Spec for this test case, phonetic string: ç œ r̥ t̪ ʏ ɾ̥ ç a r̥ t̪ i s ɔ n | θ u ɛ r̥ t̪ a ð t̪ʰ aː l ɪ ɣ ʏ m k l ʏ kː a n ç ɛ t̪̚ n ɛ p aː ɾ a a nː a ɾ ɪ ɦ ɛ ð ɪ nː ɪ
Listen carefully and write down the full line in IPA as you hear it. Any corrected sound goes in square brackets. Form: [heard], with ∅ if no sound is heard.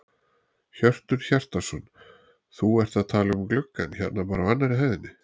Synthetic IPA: ç œ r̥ t̪ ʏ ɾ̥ ç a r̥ t̪ [a] s ɔ n | θ u ɛ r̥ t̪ a ð t̪ʰ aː l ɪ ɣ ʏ m k l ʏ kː a n ç ɛ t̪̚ n [a] p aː ɾ a a nː a ɾ ɪ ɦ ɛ ð ɪ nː ɪ